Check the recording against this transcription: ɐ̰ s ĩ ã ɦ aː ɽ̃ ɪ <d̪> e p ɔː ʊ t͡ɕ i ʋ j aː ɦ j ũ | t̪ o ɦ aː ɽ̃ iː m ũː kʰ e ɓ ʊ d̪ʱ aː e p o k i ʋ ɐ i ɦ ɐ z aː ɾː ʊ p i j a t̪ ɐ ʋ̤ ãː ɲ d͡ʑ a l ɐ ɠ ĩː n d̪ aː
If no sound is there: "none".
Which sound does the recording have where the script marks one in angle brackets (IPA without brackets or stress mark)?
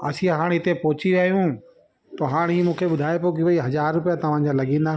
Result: t̪